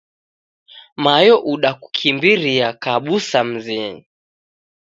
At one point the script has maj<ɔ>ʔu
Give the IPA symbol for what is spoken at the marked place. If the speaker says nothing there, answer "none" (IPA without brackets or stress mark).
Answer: ɔ